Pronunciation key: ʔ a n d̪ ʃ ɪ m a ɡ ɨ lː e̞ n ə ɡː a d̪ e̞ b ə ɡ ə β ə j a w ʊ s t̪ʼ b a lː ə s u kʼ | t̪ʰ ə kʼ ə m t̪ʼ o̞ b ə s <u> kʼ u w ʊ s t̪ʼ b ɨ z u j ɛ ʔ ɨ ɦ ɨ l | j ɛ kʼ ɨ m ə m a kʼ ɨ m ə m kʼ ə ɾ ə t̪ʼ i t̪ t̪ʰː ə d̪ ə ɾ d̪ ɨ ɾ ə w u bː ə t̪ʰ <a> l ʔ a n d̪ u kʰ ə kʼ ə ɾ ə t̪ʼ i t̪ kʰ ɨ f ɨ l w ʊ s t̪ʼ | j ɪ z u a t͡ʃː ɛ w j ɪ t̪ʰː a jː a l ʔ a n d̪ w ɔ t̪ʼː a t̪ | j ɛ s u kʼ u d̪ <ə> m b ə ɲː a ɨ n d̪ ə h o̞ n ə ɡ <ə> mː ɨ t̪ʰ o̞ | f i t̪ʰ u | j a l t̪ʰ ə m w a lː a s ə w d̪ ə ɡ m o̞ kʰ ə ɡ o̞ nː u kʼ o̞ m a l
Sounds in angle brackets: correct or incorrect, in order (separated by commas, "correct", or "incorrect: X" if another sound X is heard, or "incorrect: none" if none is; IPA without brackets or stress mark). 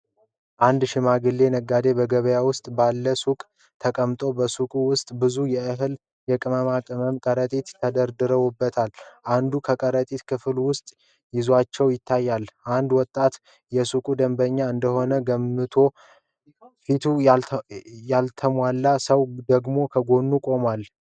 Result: correct, correct, correct, correct